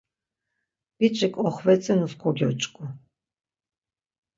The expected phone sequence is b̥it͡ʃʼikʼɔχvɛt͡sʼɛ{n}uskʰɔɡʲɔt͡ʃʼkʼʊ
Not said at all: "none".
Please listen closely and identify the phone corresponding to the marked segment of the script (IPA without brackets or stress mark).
n